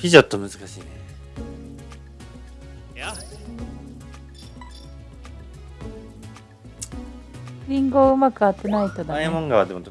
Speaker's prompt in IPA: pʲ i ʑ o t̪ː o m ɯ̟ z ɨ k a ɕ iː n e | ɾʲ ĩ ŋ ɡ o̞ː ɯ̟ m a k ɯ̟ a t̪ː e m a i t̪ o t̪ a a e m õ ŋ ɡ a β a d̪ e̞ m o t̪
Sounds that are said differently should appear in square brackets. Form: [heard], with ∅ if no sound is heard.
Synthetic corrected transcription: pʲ i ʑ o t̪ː o m ɯ̟ z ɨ k a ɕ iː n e | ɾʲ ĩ ŋ ɡ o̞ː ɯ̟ m a k ɯ̟ a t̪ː e [n] a i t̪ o [d̪] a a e m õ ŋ ɡ a β a d̪ e̞ m o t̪